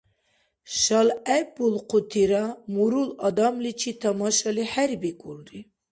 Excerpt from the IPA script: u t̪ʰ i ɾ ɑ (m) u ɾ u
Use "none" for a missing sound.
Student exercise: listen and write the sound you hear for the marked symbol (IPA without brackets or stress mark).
m